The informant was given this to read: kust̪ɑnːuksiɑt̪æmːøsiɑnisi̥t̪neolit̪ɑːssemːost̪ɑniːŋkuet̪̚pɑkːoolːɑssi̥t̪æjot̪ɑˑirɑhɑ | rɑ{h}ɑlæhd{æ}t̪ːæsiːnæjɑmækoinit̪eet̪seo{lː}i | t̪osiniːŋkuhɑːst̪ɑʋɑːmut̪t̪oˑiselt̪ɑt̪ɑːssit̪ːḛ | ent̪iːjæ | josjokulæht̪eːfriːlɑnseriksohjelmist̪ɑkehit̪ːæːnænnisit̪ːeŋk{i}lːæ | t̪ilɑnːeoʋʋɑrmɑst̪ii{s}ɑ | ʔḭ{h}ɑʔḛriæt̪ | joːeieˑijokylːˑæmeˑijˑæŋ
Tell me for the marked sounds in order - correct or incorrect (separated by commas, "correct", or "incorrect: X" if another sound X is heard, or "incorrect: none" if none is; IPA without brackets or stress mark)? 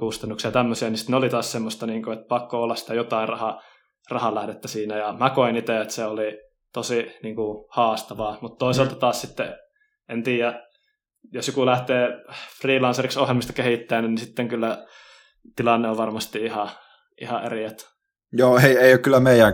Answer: correct, incorrect: e, incorrect: l, incorrect: y, incorrect: h, correct